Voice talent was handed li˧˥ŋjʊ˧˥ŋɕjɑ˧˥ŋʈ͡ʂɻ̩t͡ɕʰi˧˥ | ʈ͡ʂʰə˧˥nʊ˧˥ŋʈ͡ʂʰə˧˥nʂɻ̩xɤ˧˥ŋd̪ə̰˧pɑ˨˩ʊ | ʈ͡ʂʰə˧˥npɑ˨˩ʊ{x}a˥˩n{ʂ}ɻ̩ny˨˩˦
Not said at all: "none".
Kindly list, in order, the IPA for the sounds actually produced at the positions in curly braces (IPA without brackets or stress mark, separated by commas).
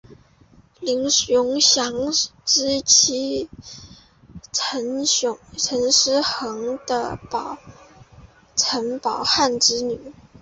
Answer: x, ʈ͡ʂ